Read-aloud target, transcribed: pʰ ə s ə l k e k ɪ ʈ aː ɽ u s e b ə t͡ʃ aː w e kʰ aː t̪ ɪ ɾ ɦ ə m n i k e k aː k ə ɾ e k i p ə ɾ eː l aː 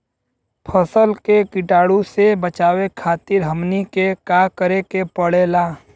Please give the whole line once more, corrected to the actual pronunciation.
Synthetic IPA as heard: pʰ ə s ə l k e k ɪ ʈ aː ɽ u s e b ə t͡ʃ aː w e kʰ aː t̪ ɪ ɾ ɦ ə m n i k e k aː k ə ɾ e k e p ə ɽ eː l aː